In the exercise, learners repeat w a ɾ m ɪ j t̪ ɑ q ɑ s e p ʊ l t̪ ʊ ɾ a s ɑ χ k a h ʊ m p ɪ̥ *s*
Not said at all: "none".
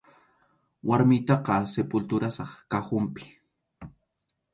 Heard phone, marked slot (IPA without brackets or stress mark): none